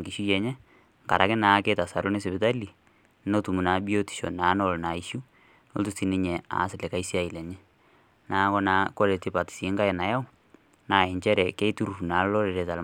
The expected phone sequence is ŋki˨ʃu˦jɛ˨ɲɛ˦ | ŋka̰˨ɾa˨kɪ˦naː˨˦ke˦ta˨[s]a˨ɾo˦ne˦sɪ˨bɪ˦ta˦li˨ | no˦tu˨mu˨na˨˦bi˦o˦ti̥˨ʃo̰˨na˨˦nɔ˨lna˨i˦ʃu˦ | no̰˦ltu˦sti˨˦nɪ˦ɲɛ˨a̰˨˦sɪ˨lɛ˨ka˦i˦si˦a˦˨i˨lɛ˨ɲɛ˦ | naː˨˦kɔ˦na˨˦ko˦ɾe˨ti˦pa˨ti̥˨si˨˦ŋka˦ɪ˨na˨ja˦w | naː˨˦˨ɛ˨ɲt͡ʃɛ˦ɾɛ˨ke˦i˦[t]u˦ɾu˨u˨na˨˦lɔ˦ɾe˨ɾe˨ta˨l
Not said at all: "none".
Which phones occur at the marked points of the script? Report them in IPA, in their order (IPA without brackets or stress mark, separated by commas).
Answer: s, t